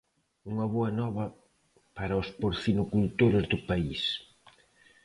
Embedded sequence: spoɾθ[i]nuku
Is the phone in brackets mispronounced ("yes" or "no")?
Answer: no